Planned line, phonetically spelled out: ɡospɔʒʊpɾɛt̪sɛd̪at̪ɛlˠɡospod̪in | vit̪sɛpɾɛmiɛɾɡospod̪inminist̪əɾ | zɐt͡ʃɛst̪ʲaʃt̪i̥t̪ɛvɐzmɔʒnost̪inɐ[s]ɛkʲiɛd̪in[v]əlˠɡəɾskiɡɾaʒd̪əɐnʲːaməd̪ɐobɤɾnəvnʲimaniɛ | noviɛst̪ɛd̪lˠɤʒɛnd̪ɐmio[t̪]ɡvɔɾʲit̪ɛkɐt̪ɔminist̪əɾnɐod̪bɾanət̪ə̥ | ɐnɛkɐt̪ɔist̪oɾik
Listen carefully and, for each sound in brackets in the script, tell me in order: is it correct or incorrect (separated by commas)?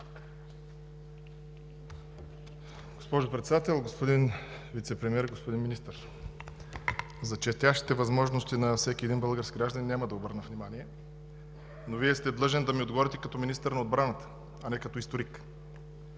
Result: correct, incorrect, incorrect